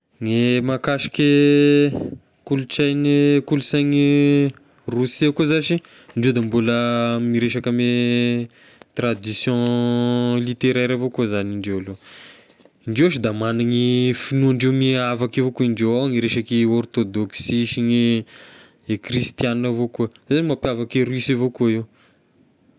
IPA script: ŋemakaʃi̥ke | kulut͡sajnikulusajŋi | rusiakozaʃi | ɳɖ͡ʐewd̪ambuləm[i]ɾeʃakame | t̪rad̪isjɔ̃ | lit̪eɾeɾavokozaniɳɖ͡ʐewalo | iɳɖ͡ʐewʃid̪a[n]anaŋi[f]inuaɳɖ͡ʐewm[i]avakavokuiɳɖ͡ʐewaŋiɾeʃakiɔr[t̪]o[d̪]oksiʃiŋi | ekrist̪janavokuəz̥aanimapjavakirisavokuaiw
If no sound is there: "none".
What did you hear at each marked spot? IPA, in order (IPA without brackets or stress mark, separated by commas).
i, m, f, i, t̪, d̪